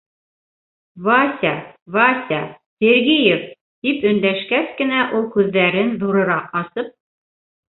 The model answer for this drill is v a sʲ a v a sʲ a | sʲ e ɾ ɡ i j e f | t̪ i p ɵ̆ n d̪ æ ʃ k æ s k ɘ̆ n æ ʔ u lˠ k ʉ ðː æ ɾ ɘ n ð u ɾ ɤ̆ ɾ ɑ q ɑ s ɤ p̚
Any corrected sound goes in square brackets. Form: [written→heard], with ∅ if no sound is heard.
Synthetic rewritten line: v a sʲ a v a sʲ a | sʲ e ɾ ɡ i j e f | t̪ i p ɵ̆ n d̪ æ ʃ k æ s k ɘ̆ n æ ʔ u lˠ k ʉ ðː æ ɾ ɘ n ð u ɾ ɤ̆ ɾ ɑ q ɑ s ɤ p̚